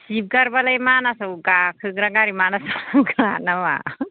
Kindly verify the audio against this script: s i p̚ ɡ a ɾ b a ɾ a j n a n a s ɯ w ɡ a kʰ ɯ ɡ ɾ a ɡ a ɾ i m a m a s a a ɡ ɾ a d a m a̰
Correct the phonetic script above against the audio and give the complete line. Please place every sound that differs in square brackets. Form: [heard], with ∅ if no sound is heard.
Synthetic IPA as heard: s i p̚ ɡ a ɾ b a [l] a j [m] a n a s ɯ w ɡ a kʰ ɯ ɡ ɾ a ɡ a ɾ i m a [n] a s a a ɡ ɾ a [n] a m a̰